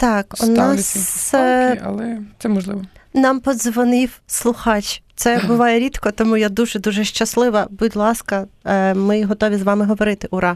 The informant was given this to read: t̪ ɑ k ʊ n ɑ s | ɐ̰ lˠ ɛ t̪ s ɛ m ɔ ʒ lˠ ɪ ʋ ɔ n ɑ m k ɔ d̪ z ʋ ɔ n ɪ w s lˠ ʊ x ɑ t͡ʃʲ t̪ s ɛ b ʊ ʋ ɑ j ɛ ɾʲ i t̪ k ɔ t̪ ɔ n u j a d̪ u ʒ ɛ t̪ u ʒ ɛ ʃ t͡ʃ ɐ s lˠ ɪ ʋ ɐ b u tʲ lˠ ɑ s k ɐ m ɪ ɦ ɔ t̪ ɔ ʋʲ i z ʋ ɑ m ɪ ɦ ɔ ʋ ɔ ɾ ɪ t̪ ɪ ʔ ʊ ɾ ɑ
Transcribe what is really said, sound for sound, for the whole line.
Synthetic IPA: t̪ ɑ k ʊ n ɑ s | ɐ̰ lˠ ɛ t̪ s ɛ m ɔ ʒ lˠ ɪ ʋ ɔ n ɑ m p ɔ d̪ z ʋ ɔ n ɪ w s lˠ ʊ x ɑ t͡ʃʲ t̪ s ɛ b ʊ ʋ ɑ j ɛ ɾʲ i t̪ k ɔ t̪ ɔ m u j a d̪ u ʒ ɛ d̪ u ʒ ɛ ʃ t͡ʃ ɐ s lˠ ɪ ʋ ɐ b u dʲ lˠ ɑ s k ɐ m ɪ ɦ ɔ t̪ ɔ ʋʲ i z ʋ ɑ m ɪ ɦ ɔ ʋ ɔ ɾ ɪ t̪ ɪ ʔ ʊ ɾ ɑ